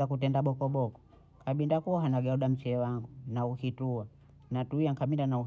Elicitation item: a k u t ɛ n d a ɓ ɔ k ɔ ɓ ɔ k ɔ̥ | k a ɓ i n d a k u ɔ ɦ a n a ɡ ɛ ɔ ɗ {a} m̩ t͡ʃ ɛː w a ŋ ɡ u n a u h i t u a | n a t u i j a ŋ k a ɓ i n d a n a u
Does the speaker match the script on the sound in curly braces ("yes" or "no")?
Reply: yes